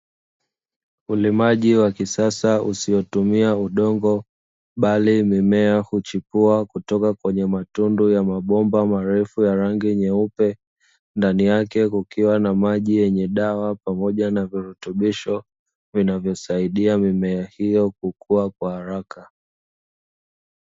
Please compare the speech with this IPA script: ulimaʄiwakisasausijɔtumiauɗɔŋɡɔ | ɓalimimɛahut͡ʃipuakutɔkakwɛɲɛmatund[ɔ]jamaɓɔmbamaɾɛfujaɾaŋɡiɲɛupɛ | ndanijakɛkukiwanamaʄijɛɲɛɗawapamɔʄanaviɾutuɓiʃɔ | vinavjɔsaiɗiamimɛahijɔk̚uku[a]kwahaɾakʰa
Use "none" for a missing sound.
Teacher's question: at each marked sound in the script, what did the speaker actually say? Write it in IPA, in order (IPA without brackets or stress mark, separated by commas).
u, a